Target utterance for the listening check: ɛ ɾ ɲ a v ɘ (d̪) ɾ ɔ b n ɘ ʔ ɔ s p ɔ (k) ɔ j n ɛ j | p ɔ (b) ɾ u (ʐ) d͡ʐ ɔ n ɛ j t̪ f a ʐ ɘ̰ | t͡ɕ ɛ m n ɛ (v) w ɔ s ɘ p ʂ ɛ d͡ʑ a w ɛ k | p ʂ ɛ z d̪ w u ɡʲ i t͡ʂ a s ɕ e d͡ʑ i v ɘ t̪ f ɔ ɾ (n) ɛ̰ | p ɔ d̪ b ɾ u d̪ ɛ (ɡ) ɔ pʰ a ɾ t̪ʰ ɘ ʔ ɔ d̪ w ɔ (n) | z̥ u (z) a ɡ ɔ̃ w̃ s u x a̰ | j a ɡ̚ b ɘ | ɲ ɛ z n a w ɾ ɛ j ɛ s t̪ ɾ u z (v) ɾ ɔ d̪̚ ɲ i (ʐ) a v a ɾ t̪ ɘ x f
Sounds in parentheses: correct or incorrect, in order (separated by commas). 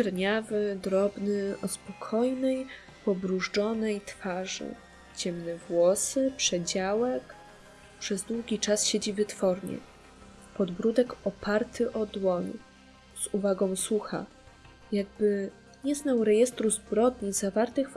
correct, incorrect, correct, correct, correct, incorrect, incorrect, incorrect, incorrect, incorrect, incorrect